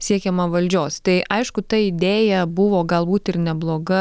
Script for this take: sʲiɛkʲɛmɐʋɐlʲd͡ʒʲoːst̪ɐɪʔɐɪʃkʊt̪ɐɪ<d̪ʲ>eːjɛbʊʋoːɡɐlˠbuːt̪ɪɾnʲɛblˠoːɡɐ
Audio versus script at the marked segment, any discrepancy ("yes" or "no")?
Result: no